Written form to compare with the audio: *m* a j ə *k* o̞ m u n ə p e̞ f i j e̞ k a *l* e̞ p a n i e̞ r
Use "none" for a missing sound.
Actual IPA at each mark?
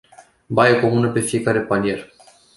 b, k, ɾ

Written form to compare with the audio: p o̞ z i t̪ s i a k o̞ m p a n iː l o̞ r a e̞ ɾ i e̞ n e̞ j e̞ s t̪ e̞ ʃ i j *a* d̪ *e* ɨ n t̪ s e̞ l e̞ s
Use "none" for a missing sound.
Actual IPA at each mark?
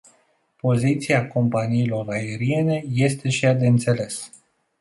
a, e

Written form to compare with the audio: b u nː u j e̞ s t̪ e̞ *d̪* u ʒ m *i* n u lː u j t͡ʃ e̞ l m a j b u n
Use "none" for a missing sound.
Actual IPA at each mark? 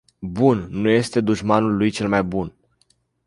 d̪, a

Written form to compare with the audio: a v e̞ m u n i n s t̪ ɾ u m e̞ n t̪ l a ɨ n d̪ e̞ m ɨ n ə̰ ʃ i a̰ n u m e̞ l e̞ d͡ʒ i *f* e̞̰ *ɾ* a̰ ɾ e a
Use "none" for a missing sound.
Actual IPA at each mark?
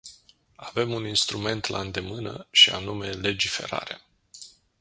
f, ɾ

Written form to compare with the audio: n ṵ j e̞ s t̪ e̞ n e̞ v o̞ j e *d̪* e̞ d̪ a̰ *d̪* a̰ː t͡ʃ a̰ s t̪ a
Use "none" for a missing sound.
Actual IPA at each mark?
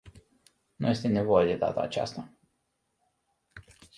d̪, t̪

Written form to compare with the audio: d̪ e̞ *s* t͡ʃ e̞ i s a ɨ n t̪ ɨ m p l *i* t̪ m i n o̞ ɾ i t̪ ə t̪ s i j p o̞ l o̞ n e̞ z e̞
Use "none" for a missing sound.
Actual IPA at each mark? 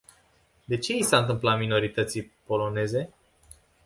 none, a

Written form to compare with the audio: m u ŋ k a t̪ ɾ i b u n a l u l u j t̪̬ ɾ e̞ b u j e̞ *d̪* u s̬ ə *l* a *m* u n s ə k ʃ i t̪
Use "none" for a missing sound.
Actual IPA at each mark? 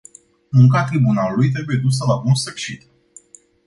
d̪, l, b

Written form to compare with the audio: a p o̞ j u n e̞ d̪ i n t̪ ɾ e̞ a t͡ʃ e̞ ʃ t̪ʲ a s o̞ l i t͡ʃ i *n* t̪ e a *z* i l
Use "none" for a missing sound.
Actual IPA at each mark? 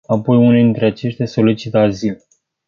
none, z

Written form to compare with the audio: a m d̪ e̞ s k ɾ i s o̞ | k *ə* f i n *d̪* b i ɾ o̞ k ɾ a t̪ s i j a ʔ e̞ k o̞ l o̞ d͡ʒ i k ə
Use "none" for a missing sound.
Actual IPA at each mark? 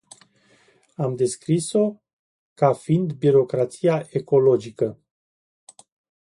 a, d̪

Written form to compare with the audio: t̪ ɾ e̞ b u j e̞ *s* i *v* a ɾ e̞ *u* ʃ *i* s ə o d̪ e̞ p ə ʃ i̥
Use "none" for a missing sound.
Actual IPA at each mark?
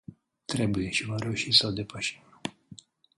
ʃ, v, u, i

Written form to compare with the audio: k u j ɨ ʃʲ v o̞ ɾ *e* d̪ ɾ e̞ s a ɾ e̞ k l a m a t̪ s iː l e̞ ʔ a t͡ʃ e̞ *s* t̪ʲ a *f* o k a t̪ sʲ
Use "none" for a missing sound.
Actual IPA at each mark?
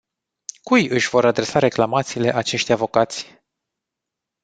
a, ʃ, v

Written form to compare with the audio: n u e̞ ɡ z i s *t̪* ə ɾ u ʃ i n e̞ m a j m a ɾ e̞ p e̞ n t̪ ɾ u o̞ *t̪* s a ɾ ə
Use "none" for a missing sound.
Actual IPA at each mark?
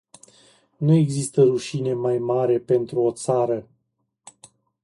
t̪, t̪

